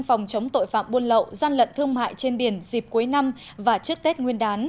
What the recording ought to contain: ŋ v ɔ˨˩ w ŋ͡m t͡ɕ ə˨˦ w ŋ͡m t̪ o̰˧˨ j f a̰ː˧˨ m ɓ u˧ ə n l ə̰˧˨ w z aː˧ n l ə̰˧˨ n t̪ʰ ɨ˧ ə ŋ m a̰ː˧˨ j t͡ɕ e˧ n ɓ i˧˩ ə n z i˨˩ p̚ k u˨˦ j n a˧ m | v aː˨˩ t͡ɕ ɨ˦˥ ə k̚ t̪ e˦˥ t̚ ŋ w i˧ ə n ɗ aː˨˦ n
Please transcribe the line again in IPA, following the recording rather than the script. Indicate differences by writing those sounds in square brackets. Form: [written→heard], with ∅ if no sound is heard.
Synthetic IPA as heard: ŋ [v→f] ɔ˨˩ w ŋ͡m t͡ɕ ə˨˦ w ŋ͡m t̪ o̰˧˨ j f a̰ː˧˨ m ɓ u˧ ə n l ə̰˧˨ w z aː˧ n l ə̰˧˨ n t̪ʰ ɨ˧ ə ŋ m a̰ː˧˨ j t͡ɕ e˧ n ɓ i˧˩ ə n z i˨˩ p̚ k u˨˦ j n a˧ m | v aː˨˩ t͡ɕ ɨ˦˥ ə k̚ t̪ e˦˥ t̚ ŋ w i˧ ə n ɗ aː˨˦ n